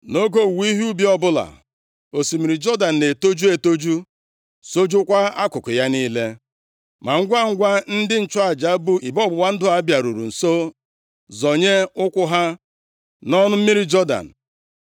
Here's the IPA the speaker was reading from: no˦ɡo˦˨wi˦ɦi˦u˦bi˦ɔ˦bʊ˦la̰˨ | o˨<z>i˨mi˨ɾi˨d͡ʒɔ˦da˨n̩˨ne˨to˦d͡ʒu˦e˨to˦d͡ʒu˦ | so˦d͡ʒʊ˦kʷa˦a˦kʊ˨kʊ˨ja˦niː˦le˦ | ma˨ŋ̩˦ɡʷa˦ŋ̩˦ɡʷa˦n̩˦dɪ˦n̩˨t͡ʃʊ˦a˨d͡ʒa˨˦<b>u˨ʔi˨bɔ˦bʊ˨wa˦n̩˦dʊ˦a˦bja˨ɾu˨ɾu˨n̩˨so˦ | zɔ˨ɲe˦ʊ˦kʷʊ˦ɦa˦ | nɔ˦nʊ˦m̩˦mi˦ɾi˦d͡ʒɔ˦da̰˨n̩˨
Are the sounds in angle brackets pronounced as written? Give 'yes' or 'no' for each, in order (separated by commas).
no, yes